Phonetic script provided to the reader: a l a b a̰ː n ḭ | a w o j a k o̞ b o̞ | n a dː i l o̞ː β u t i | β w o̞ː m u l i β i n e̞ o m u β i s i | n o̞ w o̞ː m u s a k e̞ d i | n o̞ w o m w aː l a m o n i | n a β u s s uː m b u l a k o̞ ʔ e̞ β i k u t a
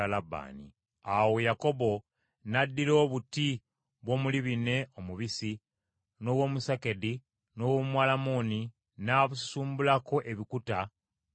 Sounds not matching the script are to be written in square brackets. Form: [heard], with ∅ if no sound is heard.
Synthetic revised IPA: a l a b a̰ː n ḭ | a w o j a k o̞ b o̞ | n a dː i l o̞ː β u t i | β w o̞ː m u l i β i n e̞ o m u β i s i | n o̞ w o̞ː m u s a k e̞ d i | n o̞ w o m w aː l a m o n i | n a β u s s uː m b u l a k o̞ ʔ e̞ β i k u t a